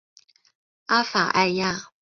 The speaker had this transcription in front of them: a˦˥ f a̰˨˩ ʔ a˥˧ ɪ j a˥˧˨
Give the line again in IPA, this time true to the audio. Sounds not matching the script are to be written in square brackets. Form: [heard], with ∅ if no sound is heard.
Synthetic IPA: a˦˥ f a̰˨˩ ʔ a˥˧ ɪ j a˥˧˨